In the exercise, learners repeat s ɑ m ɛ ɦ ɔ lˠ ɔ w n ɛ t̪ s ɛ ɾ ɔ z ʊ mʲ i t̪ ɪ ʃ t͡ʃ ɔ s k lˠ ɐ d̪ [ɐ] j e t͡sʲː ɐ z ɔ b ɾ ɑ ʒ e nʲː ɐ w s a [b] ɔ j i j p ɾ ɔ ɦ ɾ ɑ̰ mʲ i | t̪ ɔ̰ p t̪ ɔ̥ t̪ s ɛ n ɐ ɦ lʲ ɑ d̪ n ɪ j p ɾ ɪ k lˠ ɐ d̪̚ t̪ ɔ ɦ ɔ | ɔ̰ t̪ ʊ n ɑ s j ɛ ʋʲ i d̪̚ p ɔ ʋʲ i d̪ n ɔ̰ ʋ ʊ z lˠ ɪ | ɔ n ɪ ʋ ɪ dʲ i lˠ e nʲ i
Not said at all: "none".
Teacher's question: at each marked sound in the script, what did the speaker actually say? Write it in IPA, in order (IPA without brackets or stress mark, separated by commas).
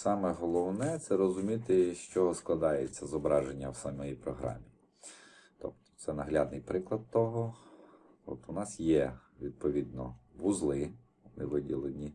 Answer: ɑ, m